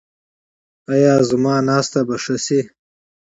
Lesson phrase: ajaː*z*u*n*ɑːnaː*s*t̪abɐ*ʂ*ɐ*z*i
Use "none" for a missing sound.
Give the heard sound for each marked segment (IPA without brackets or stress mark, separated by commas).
z, m, s, ʂ, s